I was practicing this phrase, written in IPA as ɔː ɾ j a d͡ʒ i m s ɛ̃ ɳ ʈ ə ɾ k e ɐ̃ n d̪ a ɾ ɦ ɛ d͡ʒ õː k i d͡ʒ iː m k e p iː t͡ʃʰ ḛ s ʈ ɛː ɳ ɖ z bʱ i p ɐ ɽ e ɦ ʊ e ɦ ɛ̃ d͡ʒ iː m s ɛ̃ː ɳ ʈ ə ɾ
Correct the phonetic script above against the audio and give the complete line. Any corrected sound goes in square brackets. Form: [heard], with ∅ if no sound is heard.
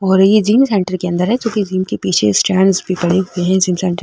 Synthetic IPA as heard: ɔː ɾ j [e] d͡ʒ [iː] m s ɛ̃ ɳ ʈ ə ɾ k e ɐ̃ n d̪ [ə] ɾ ɦ ɛ d͡ʒ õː k i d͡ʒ iː m k e p iː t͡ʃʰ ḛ s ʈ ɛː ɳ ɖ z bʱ i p ɐ ɽ e ɦ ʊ e ɦ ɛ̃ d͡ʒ iː m s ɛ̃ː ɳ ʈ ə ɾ